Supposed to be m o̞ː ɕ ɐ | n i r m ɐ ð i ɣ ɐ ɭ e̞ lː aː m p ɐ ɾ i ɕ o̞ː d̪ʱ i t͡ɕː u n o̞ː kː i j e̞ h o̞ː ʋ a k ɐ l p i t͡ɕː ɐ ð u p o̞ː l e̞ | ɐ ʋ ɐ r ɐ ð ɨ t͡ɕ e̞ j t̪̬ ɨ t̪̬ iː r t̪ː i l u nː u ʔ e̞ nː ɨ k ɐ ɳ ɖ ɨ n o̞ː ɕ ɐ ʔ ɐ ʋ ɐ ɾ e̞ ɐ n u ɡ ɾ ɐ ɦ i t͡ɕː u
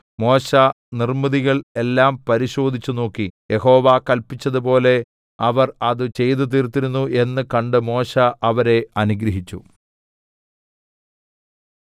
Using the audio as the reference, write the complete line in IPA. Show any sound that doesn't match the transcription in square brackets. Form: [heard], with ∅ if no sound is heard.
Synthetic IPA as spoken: m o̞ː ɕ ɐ | n i r m ɐ ð i ɣ ɐ ɭ e̞ lː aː m p ɐ ɾ i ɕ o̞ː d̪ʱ i t͡ɕː u n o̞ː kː i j e̞ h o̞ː ʋ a k ɐ l p i t͡ɕː ɐ ð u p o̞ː l e̞ | ɐ ʋ ɐ r ɐ ð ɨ t͡ɕ e̞ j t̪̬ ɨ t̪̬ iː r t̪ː i [ɾ] u nː u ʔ e̞ nː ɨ k ɐ ɳ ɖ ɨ [m] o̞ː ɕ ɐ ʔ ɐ ʋ ɐ ɾ e̞ ɐ n u ɡ ɾ ɐ ɦ i t͡ɕː u